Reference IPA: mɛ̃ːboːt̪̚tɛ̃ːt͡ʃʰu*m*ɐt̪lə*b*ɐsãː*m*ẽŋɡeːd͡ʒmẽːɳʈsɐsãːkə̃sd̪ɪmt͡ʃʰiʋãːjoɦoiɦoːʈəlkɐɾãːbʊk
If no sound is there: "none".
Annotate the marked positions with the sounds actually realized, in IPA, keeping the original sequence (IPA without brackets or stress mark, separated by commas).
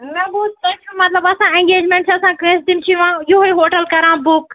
m, b, none